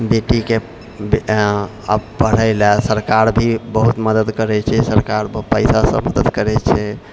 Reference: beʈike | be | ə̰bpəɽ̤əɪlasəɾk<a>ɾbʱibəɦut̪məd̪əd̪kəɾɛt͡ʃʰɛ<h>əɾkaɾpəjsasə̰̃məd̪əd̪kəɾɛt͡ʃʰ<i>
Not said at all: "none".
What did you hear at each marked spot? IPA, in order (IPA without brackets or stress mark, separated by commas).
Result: a, s, ɛ